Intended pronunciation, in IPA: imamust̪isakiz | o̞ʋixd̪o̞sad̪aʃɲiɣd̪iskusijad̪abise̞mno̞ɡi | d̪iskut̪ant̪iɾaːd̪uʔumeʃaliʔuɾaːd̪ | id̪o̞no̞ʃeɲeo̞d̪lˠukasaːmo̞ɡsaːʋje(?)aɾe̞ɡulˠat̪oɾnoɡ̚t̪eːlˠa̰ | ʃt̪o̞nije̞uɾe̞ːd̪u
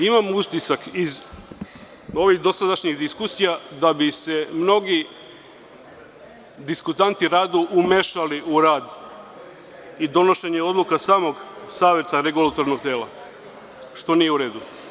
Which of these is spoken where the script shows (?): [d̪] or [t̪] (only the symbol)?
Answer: t̪